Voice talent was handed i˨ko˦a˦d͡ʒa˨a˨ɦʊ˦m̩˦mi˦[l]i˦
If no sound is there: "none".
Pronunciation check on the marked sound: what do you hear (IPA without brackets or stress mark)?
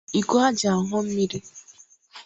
ɾ